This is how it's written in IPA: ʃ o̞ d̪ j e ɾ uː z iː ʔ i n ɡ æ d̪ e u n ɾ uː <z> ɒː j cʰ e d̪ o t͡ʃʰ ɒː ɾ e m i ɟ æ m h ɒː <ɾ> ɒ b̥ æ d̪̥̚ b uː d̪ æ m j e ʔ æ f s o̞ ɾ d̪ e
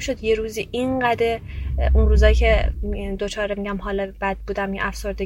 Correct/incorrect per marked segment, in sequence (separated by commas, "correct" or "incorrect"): correct, incorrect